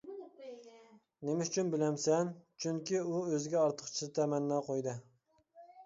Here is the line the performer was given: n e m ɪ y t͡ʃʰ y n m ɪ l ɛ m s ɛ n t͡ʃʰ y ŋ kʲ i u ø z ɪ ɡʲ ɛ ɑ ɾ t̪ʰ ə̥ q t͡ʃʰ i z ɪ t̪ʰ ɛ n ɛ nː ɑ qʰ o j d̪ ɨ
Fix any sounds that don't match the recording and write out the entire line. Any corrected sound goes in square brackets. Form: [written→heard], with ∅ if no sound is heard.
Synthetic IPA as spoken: n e m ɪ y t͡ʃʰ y n [m→b] ɪ l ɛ m s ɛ n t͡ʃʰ y ŋ kʲ i u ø z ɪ ɡʲ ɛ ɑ ɾ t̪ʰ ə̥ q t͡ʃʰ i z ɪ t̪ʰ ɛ [n→m] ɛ nː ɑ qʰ o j d̪ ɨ

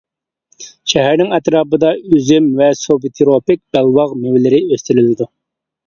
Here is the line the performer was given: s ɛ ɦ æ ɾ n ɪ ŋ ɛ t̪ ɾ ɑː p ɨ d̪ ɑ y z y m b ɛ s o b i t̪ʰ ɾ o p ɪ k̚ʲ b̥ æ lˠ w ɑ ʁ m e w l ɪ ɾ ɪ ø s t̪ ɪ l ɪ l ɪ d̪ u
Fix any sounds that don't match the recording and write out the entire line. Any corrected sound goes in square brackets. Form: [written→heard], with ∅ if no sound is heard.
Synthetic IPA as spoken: [s→ʃ] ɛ ɦ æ ɾ n ɪ ŋ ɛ t̪ ɾ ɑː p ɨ d̪ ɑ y z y m [b→v] ɛ s o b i t̪ʰ ɾ o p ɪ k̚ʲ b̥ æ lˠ w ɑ ʁ m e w l ɪ ɾ ɪ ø s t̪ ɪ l ɪ l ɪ d̪ u

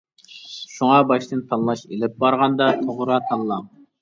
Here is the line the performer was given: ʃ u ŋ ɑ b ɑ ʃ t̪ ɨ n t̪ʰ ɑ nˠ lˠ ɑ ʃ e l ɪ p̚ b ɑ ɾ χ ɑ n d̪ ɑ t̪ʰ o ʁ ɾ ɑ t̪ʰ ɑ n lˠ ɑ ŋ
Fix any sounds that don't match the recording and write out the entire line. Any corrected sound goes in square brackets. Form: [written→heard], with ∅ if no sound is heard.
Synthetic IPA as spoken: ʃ u ŋ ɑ b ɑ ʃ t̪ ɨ n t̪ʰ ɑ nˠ lˠ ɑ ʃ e l ɪ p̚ b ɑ ɾ [χ→ʁ] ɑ n d̪ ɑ t̪ʰ o ʁ ɾ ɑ t̪ʰ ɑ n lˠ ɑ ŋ

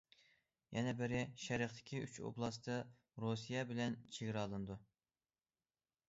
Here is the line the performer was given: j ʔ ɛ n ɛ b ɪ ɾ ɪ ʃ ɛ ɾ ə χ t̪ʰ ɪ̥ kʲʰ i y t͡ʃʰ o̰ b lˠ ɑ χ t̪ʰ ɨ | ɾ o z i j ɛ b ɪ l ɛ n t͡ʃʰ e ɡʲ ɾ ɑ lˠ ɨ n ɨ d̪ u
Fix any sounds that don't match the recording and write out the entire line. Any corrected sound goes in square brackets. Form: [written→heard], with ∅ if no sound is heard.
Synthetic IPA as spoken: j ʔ ɛ n ɛ b ɪ ɾ ɪ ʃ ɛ ɾ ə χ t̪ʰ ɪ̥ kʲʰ i y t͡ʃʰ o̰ b lˠ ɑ [χ→s] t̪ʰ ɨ | ɾ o [z→s] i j ɛ b ɪ l ɛ n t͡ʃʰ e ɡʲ ɾ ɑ lˠ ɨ n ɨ d̪ u

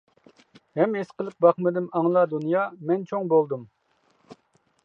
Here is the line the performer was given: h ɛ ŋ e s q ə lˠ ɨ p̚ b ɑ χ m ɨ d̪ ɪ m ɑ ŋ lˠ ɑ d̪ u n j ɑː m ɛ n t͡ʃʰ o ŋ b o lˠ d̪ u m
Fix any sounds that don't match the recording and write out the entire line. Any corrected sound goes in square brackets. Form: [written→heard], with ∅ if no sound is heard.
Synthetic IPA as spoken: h ɛ [ŋ→m] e s q ə lˠ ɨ p̚ b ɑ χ m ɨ d̪ ɪ m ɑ ŋ lˠ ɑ d̪ u n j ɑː m ɛ n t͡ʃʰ o ŋ b o lˠ d̪ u m

